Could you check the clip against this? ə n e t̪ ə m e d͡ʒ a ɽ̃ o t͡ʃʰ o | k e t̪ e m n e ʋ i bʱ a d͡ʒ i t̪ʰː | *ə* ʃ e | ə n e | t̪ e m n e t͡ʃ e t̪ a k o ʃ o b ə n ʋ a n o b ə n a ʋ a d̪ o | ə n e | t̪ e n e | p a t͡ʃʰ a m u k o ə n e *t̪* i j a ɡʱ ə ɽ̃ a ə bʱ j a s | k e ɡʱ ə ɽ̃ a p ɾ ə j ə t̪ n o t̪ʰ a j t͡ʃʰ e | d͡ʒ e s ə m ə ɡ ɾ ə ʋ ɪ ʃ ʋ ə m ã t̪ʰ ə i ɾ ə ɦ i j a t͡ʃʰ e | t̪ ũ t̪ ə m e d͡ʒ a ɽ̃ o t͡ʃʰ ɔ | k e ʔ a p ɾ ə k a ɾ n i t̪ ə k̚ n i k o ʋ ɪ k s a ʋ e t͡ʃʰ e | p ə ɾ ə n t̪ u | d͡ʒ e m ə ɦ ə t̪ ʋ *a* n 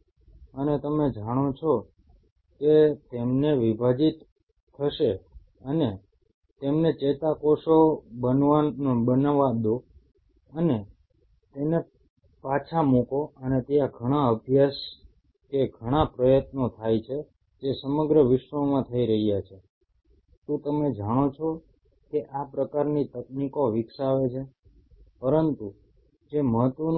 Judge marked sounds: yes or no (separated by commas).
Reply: yes, yes, no